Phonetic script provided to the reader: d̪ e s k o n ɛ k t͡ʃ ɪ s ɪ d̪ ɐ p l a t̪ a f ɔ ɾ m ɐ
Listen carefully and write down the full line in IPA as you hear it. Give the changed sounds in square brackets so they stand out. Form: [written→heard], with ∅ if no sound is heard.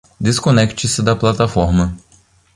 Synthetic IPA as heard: d̪ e s k o n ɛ k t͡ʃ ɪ s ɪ d̪ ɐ p l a t̪ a f ɔ ɾ m ɐ